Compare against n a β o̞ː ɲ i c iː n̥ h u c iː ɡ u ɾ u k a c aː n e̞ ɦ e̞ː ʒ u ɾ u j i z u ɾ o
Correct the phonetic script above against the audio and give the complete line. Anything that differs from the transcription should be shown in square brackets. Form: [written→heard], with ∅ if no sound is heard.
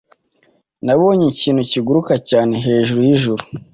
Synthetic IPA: n a β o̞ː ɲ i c iː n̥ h u c [iː→i] ɡ u ɾ u k a c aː n e̞ ɦ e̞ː ʒ u ɾ u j i [z→ʒ] u ɾ [o→u]